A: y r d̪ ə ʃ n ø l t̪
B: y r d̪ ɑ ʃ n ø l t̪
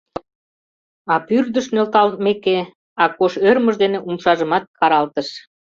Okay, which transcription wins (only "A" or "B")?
A